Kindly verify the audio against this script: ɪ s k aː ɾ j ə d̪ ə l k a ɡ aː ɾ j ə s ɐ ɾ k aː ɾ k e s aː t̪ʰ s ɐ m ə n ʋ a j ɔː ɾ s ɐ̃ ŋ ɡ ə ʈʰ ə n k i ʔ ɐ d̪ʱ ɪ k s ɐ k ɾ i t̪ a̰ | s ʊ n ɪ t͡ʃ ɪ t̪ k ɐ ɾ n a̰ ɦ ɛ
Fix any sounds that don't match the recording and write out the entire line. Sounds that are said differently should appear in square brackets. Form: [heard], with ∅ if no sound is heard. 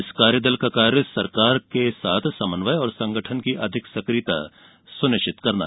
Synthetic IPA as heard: ɪ s k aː ɾ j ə d̪ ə l k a [k] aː ɾ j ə s ɐ ɾ k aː ɾ k e s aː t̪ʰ s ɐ m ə n ʋ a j ɔː ɾ s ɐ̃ ŋ ɡ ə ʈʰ ə n k i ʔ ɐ d̪ʱ ɪ k s ɐ k ɾ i t̪ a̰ | s ʊ n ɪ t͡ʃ ɪ t̪ k ɐ ɾ n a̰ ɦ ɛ

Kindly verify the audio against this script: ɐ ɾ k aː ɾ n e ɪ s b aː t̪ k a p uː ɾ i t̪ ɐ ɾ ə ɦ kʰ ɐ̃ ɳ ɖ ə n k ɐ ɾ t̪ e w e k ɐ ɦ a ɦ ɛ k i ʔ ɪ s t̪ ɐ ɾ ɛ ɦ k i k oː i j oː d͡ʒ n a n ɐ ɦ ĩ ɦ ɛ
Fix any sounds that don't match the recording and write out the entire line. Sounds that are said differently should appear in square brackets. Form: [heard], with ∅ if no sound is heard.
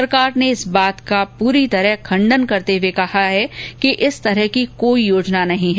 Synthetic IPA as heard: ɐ ɾ k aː ɾ n e ɪ s b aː t̪ k a p uː ɾ i t̪ ɐ ɾ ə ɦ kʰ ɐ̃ ɳ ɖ ə n k ɐ ɾ t̪ e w e k ɐ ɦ a ɦ ɛ k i ʔ ɪ s t̪ ɐ ɾ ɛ ɦ k i k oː i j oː d͡ʒ n a n ɐ ɦ ĩ ɦ ɛ

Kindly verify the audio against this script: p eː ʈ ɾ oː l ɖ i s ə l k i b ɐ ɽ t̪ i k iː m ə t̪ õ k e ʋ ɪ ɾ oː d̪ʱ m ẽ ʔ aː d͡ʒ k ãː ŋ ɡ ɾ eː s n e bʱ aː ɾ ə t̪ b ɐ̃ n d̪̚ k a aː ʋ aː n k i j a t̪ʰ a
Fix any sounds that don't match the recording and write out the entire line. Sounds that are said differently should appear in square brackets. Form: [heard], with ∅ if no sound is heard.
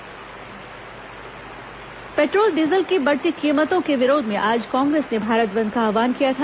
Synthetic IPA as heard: p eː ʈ ɾ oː l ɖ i [z] ə l k i b ɐ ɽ t̪ i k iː m ə t̪ õ k e ʋ ɪ ɾ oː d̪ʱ m ẽ ʔ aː d͡ʒ k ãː ŋ ɡ ɾ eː s n e bʱ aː ɾ ə t̪ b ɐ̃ n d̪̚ k a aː ʋ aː n k i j a t̪ʰ a

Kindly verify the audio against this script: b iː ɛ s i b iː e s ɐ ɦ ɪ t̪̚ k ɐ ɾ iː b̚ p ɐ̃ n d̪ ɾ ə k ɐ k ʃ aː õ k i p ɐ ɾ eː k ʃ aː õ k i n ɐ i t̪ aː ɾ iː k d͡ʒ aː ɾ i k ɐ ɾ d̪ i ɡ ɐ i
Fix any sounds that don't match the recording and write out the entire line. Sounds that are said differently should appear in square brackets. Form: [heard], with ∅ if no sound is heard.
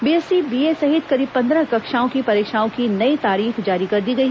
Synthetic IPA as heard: b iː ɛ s i b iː e s ɐ ɦ ɪ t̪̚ k ɐ ɾ iː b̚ p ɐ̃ n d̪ ɾ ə k ɐ k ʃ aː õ k i p ɐ ɾ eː k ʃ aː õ k i n ɐ i t̪ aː ɾ iː [x] d͡ʒ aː ɾ i k ɐ ɾ d̪ i ɡ ɐ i

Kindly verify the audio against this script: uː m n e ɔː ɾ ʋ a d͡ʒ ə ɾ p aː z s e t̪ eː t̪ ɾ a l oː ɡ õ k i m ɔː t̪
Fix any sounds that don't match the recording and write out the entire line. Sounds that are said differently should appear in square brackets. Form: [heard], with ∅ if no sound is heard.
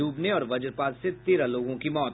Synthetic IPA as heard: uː [b] n e ɔː ɾ ʋ [ɐ] d͡ʒ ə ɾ p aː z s e t̪ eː [∅] ɾ a l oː ɡ õ k i m ɔː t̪

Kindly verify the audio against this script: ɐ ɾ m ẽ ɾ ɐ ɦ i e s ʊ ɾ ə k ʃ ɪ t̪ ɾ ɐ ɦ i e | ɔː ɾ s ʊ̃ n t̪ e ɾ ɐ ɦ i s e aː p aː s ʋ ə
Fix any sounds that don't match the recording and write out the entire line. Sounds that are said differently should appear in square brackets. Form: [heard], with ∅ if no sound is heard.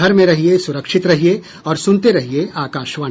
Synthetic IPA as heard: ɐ ɾ m ẽ ɾ ɐ ɦ i e s ʊ ɾ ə k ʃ ɪ t̪ ɾ ɐ ɦ i e | ɔː ɾ s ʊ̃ n t̪ e ɾ ɐ ɦ i [∅] e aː [k] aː [ʃ] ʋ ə

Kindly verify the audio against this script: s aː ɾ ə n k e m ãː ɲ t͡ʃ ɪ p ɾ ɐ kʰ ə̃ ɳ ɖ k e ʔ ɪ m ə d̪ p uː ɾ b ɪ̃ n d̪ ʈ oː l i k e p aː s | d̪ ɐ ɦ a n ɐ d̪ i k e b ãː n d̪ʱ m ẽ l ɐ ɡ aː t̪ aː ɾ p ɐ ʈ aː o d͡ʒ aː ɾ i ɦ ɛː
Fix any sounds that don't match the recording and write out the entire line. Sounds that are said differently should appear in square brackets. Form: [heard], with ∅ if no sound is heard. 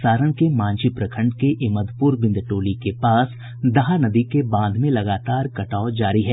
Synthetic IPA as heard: s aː ɾ ə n k e m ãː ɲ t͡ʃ [i] p ɾ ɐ kʰ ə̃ ɳ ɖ k e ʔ ɪ m ə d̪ p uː ɾ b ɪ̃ n d̪ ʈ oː l i k e p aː s | d̪ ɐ ɦ a n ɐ d̪ i k e b ãː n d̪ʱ m ẽ l ɐ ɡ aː t̪ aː ɾ [k] ɐ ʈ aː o d͡ʒ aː ɾ i ɦ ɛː

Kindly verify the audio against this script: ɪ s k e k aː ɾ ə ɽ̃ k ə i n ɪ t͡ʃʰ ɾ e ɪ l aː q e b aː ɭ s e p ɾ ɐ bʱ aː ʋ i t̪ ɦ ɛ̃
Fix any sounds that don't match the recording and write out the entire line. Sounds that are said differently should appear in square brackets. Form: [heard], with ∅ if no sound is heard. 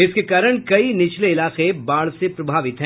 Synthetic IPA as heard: ɪ s k e k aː ɾ ə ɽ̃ k [ɐ] i n ɪ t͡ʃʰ [l] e ɪ l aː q e b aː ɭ s e p ɾ ɐ bʱ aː ʋ [ɪ] t̪ ɦ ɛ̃

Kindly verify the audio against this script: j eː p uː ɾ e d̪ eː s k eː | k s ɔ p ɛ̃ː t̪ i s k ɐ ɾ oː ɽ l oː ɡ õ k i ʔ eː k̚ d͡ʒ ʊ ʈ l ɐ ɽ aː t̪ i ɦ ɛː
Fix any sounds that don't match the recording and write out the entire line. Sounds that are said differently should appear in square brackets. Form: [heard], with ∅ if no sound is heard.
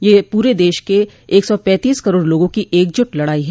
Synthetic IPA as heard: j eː p uː ɾ e d̪ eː [ʃ] k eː | k s ɔ p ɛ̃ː t̪ [iː] s k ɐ ɾ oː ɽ l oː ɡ õ k i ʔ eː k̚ d͡ʒ ʊ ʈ l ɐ ɽ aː [∅] i ɦ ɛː

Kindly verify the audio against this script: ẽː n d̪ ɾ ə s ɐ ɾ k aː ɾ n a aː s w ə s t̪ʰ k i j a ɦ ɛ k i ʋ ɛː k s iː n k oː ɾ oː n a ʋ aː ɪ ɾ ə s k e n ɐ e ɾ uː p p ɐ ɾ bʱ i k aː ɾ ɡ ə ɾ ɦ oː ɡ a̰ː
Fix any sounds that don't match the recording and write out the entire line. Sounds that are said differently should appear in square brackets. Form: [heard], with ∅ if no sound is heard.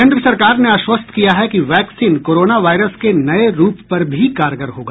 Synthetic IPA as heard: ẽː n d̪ ɾ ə s ɐ ɾ k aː ɾ n [e] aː [ʃ] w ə s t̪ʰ k i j a ɦ ɛ k i ʋ ɛː k s iː n k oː ɾ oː n a ʋ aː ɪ ɾ ə s k e n ɐ e ɾ uː p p ɐ ɾ bʱ i k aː ɾ ɡ ə ɾ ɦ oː ɡ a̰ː

